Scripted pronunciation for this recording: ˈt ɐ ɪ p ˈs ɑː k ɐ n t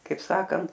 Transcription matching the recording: ˈk ɐ ɪ p ˈs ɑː k ɐ n t